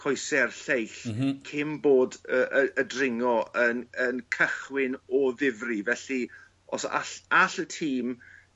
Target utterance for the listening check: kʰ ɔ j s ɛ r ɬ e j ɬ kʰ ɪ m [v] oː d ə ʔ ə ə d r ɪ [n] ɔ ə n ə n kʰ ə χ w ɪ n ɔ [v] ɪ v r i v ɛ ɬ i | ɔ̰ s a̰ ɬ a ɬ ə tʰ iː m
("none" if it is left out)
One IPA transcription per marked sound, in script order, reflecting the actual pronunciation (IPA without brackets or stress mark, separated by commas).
b, ŋ, ð